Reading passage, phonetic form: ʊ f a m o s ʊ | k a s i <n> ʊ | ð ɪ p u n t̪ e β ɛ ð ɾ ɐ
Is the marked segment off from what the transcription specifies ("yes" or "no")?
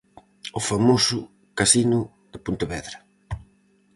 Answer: no